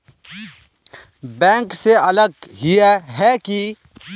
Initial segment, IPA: b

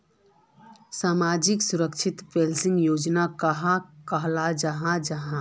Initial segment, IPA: s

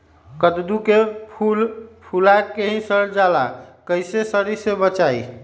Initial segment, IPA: k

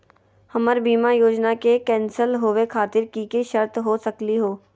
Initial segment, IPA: h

